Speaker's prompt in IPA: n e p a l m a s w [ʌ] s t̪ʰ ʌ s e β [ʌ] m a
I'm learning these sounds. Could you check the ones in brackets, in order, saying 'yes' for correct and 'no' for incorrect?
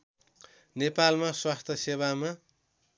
no, no

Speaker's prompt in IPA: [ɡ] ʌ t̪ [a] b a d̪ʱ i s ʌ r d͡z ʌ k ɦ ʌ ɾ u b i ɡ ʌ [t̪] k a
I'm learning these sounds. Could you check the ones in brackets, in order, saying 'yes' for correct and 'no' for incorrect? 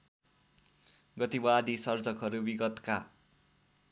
yes, no, yes

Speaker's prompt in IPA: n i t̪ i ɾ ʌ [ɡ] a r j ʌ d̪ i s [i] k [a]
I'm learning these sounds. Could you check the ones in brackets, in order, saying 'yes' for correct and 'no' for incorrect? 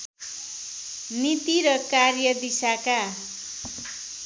no, no, yes

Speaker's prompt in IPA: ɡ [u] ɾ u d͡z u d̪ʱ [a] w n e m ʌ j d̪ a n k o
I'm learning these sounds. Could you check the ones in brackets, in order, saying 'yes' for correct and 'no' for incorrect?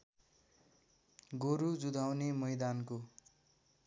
no, yes

